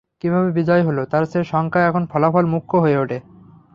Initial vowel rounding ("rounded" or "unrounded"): unrounded